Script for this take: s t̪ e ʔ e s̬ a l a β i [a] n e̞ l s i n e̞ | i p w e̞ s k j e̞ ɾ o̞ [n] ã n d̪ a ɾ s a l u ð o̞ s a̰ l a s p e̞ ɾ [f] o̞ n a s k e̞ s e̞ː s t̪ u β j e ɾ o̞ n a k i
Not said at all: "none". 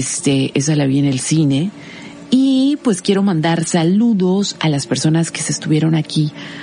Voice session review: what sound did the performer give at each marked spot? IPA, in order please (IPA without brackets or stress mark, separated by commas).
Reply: e, m, s